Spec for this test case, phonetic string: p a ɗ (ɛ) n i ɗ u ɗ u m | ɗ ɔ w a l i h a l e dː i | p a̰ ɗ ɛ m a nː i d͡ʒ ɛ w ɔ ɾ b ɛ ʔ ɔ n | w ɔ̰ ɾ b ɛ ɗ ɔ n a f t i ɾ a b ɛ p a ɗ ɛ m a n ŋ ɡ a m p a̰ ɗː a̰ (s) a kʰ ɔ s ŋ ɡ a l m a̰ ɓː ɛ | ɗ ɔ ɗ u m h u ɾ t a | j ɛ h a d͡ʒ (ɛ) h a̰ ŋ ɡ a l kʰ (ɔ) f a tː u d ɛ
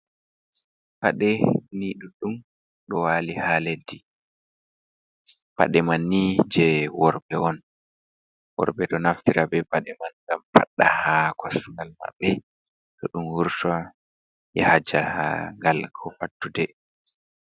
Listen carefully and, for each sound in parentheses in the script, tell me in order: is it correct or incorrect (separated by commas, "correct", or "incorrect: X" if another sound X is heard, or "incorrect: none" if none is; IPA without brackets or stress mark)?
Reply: correct, incorrect: h, incorrect: a, correct